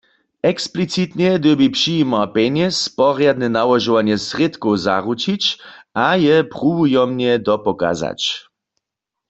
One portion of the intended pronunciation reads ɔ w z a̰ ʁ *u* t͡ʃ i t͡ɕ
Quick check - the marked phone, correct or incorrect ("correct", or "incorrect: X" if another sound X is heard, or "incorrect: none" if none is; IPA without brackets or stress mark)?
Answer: correct